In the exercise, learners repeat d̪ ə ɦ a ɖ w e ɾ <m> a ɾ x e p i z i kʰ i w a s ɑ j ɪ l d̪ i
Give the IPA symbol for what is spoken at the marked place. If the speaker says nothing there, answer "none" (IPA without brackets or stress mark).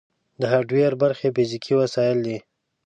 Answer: b